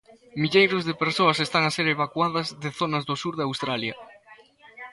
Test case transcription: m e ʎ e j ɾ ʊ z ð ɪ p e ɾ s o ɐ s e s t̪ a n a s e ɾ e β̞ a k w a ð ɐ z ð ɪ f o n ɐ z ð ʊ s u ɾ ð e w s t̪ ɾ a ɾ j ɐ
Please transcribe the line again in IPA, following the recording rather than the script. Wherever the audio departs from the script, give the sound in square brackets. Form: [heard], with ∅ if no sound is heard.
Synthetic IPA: m [i] ʎ e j ɾ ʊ z ð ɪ p e ɾ s o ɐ s e s t̪ a [ŋ] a s e ɾ e β̞ a k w a ð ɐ z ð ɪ [θ] o n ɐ z ð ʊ s u ɾ ð [a] w s t̪ ɾ a [l] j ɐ